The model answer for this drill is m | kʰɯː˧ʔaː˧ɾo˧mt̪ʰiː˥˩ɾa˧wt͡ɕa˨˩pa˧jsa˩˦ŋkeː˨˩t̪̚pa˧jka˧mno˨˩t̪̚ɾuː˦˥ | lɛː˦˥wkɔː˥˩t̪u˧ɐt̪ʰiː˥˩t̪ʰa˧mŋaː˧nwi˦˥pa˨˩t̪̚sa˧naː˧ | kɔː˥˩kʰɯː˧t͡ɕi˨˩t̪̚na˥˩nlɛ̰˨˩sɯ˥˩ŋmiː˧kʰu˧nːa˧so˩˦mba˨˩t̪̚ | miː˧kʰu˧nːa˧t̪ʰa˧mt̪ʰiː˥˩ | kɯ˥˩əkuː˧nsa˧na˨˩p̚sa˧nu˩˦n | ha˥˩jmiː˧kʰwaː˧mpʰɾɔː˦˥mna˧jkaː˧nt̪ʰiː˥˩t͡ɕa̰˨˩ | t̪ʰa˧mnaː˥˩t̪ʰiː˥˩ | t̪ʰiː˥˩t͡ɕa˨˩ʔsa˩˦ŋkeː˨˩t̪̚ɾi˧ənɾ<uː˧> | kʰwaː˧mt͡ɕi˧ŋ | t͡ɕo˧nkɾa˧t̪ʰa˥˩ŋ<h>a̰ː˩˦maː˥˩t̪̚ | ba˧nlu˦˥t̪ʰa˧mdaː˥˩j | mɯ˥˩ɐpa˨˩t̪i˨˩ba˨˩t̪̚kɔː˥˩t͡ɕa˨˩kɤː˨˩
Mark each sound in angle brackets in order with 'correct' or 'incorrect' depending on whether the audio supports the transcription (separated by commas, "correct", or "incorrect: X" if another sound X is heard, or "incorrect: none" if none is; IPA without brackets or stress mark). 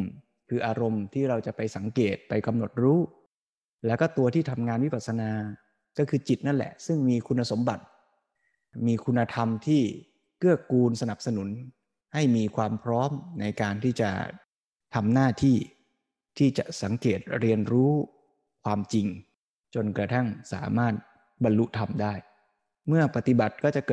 incorrect: uː˦˥, incorrect: s